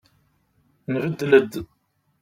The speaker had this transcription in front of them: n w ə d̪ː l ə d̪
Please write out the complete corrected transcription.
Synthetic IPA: n v ə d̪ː l ə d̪